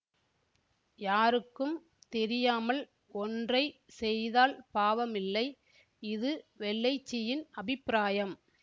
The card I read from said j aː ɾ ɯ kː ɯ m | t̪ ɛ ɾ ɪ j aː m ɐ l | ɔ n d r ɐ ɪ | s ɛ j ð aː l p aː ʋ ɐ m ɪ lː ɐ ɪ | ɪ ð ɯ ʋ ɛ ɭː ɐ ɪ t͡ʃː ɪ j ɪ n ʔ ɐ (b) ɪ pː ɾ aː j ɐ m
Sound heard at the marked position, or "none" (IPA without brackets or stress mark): b